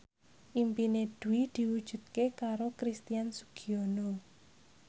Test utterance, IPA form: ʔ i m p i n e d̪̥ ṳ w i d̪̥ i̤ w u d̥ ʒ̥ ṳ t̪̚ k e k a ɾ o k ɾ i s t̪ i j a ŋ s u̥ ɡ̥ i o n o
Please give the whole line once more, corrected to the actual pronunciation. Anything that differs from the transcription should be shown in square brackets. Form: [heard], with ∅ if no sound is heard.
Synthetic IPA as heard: ʔ i m p i n e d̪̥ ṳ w i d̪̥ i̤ w u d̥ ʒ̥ ṳ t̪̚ k e k a ɾ o k ɾ i s t̪ i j a [n] s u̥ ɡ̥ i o n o